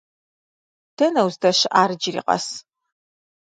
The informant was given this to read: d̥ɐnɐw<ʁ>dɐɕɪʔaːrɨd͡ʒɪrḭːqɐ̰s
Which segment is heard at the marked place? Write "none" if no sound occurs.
z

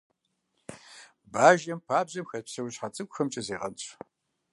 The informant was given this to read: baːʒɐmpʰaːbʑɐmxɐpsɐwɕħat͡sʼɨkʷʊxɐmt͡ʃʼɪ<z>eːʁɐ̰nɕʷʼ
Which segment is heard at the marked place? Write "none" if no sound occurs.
z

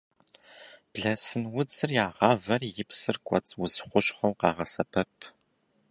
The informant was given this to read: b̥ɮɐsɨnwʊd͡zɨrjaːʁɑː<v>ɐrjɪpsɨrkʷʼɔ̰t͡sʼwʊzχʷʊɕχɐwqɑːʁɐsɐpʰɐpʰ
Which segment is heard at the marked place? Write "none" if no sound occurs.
v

